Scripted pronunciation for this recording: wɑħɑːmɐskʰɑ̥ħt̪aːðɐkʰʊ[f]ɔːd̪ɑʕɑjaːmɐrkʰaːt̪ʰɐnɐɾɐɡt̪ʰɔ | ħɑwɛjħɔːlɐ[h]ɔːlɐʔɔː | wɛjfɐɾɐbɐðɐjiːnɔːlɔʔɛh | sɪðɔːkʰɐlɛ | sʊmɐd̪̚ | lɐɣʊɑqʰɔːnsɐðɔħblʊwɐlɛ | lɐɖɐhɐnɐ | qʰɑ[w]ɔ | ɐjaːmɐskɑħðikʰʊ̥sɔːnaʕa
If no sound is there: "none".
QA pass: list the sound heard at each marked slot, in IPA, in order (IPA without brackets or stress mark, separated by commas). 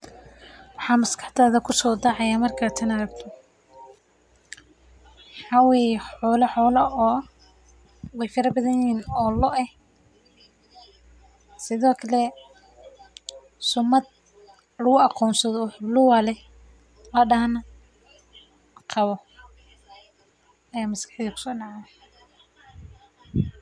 s, ħ, β